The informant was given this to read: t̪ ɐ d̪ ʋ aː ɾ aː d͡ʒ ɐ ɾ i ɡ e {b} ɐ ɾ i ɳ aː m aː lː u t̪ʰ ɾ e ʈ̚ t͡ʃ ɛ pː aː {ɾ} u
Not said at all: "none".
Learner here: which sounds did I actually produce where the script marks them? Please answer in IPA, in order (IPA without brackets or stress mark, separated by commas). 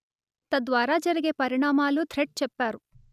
p, ɾ